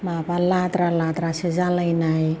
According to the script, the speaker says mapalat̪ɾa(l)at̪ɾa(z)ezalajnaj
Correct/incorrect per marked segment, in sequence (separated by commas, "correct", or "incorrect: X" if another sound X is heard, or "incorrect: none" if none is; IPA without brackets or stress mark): correct, incorrect: s